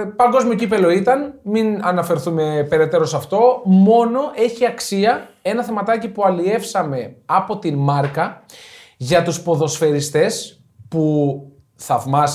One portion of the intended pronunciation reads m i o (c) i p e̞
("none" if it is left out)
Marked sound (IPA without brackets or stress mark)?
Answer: c